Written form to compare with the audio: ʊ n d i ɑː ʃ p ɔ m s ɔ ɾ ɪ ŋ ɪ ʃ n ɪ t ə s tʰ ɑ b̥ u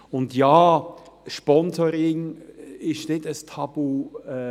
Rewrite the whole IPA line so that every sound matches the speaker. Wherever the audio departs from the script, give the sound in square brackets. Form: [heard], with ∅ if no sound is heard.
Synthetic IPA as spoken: ʊ n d [j] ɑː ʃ p ɔ [n] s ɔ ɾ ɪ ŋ ɪ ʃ n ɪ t ə s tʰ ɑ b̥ u